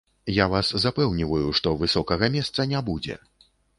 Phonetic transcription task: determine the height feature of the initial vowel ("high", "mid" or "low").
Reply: low